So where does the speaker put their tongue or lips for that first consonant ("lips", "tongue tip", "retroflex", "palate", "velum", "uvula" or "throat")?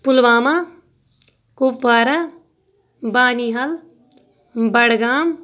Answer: lips